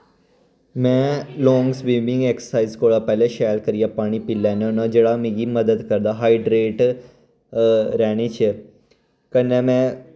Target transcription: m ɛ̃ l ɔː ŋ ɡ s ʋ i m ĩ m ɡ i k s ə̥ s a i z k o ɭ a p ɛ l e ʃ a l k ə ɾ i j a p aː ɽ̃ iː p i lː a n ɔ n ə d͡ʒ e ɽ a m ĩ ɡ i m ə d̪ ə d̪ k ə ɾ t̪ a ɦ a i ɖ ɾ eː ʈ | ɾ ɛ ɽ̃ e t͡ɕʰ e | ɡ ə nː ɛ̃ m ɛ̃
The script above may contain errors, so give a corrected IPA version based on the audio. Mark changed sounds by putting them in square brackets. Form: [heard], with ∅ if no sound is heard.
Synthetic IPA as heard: m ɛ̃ l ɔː ŋ ɡ s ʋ i m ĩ [ŋ] ɡ [e] k s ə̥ s a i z k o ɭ a p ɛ l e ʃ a l k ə ɾ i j a p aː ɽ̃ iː p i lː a n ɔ n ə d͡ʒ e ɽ a m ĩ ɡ i m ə d̪ ə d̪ k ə ɾ [d̪] a ɦ a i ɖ ɾ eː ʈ | ɾ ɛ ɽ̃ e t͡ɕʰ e | [k] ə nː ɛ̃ m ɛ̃

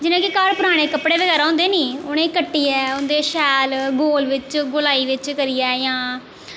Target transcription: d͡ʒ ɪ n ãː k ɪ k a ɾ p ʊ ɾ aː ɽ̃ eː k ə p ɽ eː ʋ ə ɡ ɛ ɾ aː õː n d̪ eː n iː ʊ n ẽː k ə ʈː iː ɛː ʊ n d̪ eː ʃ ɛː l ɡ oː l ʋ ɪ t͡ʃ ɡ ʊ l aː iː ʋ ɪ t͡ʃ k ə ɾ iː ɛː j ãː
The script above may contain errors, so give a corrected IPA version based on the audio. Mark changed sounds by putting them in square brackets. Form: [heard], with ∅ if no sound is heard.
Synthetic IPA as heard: d͡ʒ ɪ n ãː k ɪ k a ɾ p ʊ ɾ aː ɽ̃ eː k ə p ɽ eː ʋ ə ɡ [ɛː] ɾ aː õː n d̪ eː n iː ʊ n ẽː k ə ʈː iː ɛː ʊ n d̪ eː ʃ ɛː l ɡ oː l ʋ ɪ t͡ʃ ɡ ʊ l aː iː ʋ ɪ t͡ʃ k ə ɾ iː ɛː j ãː

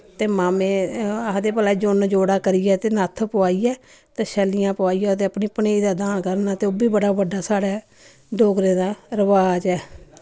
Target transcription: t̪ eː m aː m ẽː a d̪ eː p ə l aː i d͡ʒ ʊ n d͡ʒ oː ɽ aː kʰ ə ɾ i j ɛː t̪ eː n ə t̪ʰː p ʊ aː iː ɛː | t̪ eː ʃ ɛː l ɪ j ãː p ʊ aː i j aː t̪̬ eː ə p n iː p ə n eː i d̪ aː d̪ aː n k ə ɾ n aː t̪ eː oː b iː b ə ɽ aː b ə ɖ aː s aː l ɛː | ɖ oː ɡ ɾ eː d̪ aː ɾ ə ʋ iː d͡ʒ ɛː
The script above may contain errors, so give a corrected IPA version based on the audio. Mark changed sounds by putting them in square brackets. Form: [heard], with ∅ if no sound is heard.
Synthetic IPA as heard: t̪ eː m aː m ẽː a d̪ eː p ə l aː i d͡ʒ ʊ n d͡ʒ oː ɽ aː [k] ə ɾ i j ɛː t̪ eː n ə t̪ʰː p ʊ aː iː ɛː | t̪ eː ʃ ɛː l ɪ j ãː p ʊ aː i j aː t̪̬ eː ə p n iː p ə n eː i d̪ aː d̪ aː n k ə ɾ n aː t̪ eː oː b iː b ə ɽ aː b ə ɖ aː s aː [ɽ] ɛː | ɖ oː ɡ ɾ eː d̪ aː ɾ ə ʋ [aː] d͡ʒ ɛː

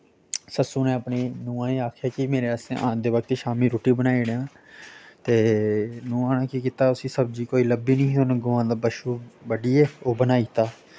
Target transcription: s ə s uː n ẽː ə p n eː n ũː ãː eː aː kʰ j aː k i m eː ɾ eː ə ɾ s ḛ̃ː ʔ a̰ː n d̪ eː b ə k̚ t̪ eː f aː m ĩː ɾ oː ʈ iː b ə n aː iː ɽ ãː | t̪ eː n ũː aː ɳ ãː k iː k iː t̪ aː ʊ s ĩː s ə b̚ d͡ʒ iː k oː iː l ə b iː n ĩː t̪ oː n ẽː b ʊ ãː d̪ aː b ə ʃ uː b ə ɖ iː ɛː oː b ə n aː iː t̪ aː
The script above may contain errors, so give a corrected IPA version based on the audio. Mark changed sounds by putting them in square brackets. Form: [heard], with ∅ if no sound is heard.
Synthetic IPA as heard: s ə s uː n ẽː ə p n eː n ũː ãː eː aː kʰ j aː k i m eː ɾ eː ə [∅] s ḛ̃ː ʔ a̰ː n d̪ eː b ə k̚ t̪ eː [ʃ] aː m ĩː ɾ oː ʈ iː b ə n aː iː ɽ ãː | t̪ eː n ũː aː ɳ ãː k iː k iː t̪ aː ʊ s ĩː s ə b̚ d͡ʒ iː k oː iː l ə b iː n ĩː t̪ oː n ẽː [ɡ] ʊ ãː d̪ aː b ə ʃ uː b ə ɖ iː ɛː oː b ə n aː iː t̪ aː

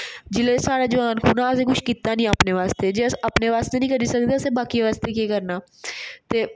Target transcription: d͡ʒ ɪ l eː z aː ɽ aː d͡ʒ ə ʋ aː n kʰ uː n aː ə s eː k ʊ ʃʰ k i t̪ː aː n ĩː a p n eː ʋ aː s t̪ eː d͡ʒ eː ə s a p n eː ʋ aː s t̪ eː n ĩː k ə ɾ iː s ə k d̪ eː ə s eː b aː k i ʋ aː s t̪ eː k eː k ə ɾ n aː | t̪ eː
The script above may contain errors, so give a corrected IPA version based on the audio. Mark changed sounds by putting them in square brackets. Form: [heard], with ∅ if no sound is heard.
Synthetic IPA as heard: d͡ʒ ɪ l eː [s] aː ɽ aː d͡ʒ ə ʋ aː n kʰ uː n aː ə s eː k ʊ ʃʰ k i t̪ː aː n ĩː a p n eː ʋ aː s t̪ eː d͡ʒ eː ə s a p n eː ʋ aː s t̪ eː n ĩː k ə ɾ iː s ə k d̪ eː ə s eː b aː k i ʋ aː s t̪ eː k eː k ə ɾ n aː | t̪ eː

